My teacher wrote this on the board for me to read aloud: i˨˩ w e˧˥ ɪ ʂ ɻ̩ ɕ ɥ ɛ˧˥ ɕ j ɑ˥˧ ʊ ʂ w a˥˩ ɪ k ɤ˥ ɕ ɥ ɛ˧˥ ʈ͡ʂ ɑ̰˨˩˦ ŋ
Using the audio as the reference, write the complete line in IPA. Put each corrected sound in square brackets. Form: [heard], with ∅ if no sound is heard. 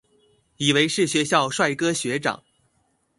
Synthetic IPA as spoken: i˨˩ w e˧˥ ɪ ʂ ɻ̩ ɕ ɥ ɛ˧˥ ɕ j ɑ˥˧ ʊ ʂ w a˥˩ ɪ k ɤ˥ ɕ ɥ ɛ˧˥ ʈ͡ʂ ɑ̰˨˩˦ ŋ